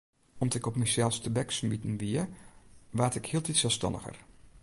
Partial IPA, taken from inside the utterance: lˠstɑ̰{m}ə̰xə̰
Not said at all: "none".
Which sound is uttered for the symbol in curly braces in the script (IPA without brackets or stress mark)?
n